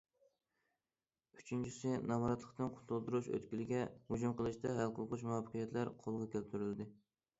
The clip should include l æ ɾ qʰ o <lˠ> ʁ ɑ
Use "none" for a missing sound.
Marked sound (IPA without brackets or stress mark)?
lˠ